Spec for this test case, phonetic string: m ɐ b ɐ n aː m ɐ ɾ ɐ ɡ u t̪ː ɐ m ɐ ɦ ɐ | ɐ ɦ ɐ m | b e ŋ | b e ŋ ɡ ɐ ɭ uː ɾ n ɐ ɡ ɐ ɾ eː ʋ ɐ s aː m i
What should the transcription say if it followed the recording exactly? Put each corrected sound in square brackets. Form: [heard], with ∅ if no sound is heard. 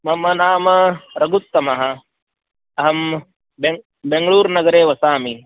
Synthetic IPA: m ɐ [m] ɐ n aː m ɐ ɾ ɐ ɡ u t̪ː ɐ m ɐ ɦ ɐ | ɐ ɦ ɐ m | b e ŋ | b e ŋ ɡ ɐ ɭ uː ɾ n ɐ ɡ ɐ ɾ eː ʋ ɐ s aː m i